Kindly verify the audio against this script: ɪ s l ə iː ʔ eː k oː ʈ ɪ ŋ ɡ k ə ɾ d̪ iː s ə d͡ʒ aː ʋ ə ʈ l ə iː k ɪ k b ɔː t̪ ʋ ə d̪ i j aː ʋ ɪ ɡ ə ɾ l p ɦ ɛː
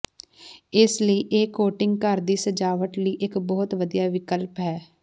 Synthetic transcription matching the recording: ɪ s l ə iː ʔ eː k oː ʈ ɪ ŋ ɡ k ə ɾ d̪ iː s ə d͡ʒ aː ʋ ə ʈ l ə iː ʔ ɪ k b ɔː t̪ ʋ ə d̪ i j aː ʋ ɪ k ə l p ɦ ɛː